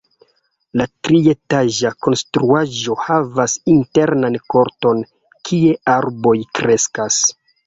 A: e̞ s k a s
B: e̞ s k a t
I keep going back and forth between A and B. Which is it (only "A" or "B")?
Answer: A